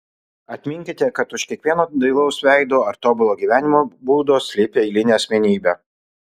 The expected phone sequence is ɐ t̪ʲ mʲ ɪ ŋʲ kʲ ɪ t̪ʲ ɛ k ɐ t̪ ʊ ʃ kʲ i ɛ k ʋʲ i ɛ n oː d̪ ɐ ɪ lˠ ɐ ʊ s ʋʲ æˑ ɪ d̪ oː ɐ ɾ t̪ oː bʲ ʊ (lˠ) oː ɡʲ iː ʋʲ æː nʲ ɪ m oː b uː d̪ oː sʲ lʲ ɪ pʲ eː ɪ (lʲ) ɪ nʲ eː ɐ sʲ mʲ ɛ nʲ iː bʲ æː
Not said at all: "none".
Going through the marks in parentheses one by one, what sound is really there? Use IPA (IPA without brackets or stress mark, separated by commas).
lˠ, lʲ